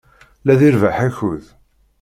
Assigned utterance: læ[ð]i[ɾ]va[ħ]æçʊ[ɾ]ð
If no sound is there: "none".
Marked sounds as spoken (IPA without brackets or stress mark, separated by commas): ð, ɾ, ħ, none